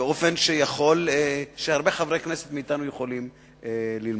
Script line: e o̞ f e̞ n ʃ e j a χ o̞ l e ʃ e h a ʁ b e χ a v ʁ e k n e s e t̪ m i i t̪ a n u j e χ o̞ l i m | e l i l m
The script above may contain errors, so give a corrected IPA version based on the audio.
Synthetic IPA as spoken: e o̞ f e̞ n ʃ e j a χ o̞ l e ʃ e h a ʁ b e χ a v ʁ e k n e s e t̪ m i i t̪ a n u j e χ o̞ l i m | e l i l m